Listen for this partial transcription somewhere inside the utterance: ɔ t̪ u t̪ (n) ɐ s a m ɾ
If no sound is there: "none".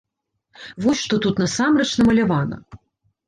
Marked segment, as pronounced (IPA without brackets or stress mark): n